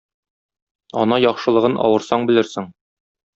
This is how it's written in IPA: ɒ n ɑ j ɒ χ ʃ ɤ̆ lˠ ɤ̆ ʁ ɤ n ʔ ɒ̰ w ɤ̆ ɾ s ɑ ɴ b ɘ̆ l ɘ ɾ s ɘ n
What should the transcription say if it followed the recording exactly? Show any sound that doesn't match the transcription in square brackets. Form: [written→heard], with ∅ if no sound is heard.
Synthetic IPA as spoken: ɒ n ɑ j ɒ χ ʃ ɤ̆ lˠ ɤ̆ ʁ ɤ n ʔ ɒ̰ w ɤ̆ ɾ s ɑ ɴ b ɘ̆ l ɘ ɾ s ɘ [n→ŋ]